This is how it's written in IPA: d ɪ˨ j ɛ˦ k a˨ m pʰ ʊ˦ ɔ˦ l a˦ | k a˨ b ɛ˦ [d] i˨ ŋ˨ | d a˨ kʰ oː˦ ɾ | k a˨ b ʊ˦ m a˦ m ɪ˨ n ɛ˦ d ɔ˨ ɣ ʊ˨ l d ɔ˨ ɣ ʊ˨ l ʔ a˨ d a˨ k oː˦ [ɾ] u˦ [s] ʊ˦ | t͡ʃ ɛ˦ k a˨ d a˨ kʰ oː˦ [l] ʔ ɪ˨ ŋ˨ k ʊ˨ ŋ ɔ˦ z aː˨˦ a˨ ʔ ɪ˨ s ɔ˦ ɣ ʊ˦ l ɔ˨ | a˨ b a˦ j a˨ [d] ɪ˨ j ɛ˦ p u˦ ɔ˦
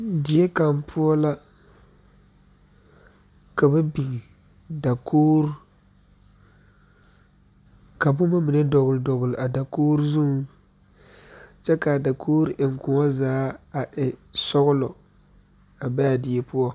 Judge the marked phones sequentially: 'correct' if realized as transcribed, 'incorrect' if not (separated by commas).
incorrect, correct, incorrect, incorrect, correct